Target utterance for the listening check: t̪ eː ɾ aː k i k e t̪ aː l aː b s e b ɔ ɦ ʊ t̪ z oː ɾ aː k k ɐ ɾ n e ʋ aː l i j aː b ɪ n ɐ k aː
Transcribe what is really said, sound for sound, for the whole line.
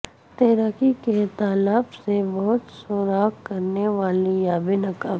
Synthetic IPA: t̪ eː ɾ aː k i k e t̪ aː l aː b s e b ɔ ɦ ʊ t̪ s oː ɾ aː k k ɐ ɾ n e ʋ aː l i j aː b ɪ n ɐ k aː